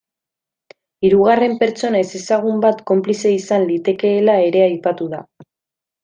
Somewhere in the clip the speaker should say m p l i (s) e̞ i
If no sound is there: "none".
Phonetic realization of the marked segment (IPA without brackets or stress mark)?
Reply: s